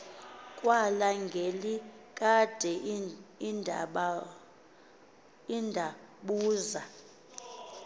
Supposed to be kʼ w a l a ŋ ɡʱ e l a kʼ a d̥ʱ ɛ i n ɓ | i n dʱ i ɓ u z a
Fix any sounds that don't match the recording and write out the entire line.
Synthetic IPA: kʼ w a l a ŋ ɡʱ e l i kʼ a d̥ʱ ɛ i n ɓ | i n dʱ a ɓ uː z a